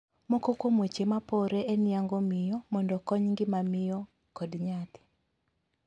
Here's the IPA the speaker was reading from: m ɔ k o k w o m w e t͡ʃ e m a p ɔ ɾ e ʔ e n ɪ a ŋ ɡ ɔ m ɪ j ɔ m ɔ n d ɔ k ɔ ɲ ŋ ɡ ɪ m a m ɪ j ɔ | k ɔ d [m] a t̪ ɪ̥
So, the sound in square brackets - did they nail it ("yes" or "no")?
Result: no